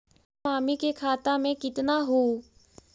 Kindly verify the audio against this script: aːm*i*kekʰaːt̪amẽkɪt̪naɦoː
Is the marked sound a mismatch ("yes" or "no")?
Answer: no